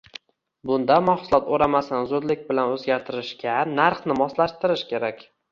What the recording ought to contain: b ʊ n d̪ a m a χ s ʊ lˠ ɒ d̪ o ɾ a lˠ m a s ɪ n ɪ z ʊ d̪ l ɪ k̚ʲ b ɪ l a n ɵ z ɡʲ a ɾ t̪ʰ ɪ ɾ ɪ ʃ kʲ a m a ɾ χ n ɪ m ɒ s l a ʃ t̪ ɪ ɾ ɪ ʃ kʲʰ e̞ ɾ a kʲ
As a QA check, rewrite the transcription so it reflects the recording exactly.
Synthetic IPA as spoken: b ʊ n d̪ a m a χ s ʊ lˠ ɒ t̪ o ɾ a m a s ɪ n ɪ z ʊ d̪ l ɪ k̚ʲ b ɪ l a n ɵ z ɡʲ a ɾ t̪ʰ ɪ ɾ ɪ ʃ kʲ a n a ɾ χ n ɪ m ɒ s l a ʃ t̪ ɪ ɾ ɪ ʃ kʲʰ e̞ ɾ a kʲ